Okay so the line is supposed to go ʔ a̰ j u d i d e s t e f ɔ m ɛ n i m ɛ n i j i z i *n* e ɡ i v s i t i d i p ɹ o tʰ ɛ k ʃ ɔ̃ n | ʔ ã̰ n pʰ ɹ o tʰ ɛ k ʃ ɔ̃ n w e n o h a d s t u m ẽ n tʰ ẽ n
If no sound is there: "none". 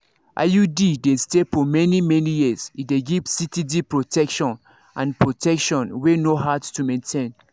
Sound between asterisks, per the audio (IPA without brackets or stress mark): d